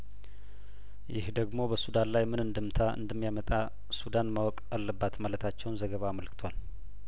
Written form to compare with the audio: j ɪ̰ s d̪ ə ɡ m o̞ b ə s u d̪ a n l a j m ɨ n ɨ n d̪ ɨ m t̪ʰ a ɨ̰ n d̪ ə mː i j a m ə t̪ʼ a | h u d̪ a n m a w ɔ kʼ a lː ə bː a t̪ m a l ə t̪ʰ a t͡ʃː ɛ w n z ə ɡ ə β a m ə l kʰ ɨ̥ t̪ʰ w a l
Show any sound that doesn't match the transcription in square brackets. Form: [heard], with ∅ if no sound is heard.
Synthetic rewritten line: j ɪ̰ [h] d̪ ə ɡ m o̞ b ə s u d̪ a n l a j m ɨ n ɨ n d̪ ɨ m t̪ʰ a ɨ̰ n d̪ ə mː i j a m ə t̪ʼ a | [s] u d̪ a n m a w ɔ kʼ a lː ə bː a t̪ m a l ə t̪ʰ a t͡ʃː ɛ w n z ə ɡ ə β a m ə l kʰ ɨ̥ t̪ʰ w a l